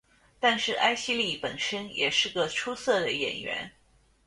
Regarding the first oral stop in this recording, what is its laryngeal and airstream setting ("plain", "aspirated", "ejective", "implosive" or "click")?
plain